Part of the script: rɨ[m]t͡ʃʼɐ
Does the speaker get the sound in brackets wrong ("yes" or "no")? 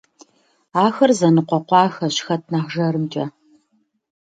no